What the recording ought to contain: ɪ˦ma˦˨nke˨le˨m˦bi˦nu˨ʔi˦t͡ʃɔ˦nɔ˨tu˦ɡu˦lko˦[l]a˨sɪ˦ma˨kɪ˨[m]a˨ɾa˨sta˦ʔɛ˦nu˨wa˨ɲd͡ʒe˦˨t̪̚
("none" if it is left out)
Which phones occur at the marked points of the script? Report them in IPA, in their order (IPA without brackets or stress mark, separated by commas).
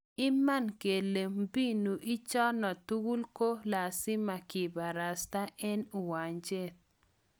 l, b